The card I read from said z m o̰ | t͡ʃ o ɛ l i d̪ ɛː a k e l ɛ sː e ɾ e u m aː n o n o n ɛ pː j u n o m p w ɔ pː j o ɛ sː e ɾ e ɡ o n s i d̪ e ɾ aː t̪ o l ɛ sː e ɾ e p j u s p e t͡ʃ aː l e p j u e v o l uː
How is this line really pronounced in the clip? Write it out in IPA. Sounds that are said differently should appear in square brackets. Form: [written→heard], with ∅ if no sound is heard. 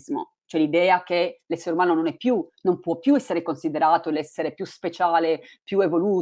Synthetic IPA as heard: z m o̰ | t͡ʃ o ɛ l i d̪ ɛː a k e l ɛ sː e ɾ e u m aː n o n o n ɛ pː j u n o m p w ɔ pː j [o→u] ɛ sː e ɾ e [ɡ→k] o n s i d̪ e ɾ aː t̪ o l ɛ sː e ɾ e p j u s p e t͡ʃ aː l e p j u e v o l uː